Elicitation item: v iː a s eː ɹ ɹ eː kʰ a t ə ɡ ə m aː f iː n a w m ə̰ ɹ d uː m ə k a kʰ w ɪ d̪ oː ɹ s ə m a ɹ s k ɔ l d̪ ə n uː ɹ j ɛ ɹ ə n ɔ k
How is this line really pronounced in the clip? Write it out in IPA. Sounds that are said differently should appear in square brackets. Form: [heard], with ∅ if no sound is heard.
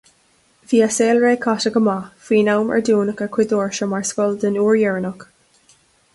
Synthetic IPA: v iː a s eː [l] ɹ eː kʰ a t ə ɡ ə m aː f iː n a w m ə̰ ɹ d uː [n] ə k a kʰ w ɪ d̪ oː ɹ [ʃ] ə m a ɹ s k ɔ l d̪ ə n uː ɹ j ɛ ɹ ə n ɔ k